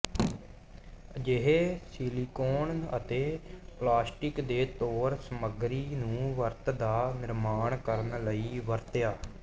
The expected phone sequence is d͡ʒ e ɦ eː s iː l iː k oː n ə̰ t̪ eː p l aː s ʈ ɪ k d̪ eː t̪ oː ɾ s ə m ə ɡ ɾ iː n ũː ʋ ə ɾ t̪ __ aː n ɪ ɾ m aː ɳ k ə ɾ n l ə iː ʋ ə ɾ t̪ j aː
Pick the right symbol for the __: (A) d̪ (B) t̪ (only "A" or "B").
A